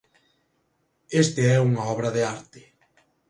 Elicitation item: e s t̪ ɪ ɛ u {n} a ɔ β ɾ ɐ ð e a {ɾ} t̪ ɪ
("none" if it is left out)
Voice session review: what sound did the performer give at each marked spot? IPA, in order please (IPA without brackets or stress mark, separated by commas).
ŋ, ɾ